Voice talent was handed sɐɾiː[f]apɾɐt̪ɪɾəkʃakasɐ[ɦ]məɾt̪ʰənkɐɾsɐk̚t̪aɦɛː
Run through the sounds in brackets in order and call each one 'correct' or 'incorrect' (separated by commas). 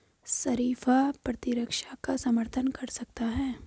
correct, incorrect